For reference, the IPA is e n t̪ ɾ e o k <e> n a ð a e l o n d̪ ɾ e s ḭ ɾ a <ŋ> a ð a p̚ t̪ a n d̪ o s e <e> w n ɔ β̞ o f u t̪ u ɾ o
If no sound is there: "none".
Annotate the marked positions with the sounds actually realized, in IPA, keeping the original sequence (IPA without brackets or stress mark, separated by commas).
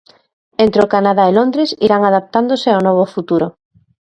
a, ŋ, a